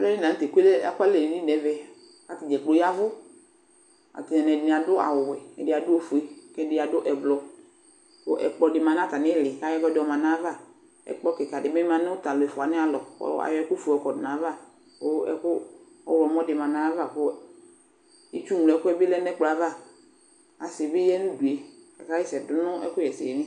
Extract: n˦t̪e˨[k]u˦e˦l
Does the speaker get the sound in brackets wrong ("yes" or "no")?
no